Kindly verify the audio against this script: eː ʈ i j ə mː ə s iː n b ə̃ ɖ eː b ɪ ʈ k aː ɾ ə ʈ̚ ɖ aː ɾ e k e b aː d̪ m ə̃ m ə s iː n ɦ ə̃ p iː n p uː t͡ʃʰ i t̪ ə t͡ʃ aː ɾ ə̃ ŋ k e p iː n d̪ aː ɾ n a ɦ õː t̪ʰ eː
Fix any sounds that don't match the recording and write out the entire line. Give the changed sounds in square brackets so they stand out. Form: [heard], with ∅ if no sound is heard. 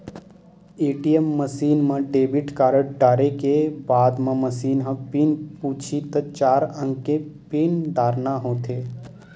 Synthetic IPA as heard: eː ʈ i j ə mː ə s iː n [m] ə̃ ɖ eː b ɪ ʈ k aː ɾ ə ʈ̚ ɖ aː ɾ e k e b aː d̪ m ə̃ m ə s iː n ɦ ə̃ p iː n p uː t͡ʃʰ i t̪ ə t͡ʃ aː ɾ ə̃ ŋ k e p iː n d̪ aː ɾ n a ɦ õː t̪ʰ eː